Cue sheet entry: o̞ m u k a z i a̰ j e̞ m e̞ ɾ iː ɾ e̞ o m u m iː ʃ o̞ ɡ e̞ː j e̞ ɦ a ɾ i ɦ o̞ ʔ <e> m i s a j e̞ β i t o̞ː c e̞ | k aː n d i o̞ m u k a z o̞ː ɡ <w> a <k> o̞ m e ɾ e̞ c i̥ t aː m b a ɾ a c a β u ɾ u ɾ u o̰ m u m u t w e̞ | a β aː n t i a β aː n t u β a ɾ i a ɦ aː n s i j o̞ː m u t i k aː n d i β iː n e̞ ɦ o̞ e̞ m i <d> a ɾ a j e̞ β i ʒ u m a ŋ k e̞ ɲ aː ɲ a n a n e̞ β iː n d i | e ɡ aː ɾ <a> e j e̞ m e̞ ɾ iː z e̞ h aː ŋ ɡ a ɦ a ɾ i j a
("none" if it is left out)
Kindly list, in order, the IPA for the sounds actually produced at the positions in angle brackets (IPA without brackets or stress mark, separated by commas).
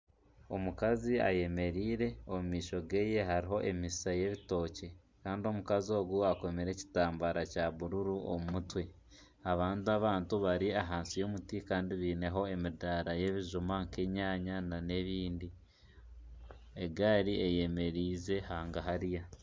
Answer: e, u, k, d, i